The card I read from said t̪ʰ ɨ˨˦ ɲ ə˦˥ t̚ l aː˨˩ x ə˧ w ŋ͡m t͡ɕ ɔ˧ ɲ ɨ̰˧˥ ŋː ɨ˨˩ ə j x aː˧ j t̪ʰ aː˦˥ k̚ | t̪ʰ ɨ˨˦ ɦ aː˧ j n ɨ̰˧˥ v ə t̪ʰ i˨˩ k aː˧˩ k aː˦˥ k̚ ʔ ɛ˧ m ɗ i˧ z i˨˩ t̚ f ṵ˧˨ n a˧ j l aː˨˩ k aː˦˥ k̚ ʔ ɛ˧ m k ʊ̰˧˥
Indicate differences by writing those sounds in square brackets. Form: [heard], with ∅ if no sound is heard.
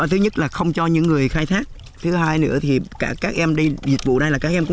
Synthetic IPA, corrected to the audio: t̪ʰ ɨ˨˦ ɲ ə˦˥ t̚ l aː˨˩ x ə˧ w ŋ͡m t͡ɕ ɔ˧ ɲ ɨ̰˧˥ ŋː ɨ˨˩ ə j x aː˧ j t̪ʰ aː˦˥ k̚ | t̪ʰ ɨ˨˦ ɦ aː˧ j n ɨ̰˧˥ [∅] ə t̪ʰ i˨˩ k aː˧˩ k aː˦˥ k̚ ʔ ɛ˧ m ɗ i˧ z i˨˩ t̚ [v] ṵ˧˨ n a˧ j l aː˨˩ k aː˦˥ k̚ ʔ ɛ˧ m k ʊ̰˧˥